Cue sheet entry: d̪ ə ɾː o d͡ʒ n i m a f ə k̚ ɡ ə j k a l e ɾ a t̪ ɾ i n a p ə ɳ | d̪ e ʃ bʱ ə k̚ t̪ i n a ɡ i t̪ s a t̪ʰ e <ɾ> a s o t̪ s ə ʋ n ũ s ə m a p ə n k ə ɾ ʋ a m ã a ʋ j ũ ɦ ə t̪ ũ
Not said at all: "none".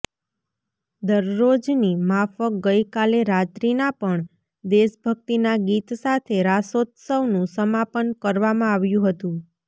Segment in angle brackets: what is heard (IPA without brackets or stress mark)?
ɾ